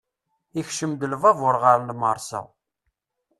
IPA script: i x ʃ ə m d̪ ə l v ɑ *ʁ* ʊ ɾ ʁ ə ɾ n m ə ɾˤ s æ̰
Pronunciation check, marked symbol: incorrect: v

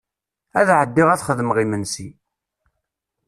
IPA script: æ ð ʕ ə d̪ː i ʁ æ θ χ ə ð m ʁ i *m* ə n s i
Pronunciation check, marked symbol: correct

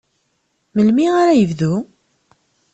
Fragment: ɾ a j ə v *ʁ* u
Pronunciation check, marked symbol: incorrect: ð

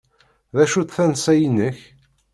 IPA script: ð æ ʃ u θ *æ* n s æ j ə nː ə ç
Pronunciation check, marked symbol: correct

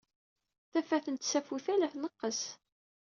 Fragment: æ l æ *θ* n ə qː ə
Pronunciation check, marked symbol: correct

